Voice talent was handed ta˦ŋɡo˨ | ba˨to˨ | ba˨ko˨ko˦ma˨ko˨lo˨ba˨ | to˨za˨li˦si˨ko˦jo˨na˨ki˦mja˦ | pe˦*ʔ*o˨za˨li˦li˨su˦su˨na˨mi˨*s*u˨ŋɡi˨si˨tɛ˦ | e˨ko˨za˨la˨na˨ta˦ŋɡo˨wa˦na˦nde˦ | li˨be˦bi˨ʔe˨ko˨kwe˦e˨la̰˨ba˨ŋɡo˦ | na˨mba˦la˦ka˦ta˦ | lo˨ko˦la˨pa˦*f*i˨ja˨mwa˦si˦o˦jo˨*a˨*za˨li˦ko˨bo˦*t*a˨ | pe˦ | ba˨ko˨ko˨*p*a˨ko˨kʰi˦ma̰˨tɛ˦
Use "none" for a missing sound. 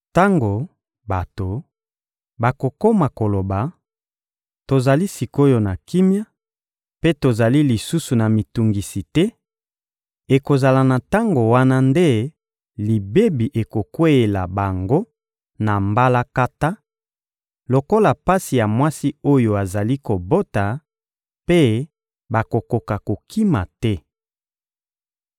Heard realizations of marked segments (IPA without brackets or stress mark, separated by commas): t, t, s, a˨, t, k